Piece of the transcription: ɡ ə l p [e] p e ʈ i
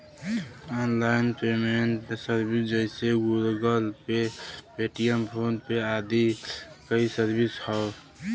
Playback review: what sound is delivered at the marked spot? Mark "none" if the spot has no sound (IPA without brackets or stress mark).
e